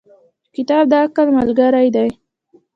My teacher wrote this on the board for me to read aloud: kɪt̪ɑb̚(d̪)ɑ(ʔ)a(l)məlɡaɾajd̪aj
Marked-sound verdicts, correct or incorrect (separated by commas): correct, incorrect, correct